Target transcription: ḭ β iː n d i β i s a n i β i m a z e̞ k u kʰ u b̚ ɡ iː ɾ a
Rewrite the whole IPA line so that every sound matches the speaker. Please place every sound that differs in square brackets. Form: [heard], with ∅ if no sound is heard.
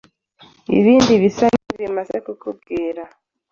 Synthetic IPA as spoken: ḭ β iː n d i β i s a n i β i m a z e̞ k u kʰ u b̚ ɡ iː ɾ a